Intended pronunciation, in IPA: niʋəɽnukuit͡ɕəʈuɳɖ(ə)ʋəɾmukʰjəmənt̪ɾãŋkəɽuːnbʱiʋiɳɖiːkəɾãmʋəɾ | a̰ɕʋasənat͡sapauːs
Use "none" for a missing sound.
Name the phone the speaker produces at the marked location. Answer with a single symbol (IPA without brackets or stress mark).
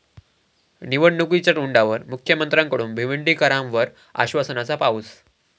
a